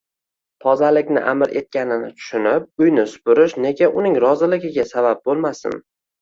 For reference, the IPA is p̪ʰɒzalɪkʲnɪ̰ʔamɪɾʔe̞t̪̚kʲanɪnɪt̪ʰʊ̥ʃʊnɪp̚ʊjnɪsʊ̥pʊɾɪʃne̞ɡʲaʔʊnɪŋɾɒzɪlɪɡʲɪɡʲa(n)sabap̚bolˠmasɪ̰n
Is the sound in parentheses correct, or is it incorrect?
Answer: incorrect: none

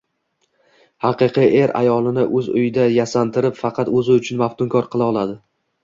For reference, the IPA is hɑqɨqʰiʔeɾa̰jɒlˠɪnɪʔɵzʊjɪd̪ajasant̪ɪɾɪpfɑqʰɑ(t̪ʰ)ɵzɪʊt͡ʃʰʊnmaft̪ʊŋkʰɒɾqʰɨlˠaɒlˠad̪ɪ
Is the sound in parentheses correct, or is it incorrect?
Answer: incorrect: t̪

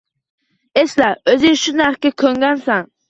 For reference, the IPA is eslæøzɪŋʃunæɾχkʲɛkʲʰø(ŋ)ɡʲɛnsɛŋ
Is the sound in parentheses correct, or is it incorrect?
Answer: correct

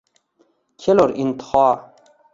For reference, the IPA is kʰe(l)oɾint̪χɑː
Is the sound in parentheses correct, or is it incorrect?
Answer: correct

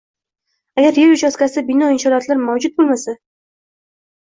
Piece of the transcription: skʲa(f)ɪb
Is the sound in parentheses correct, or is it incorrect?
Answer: incorrect: s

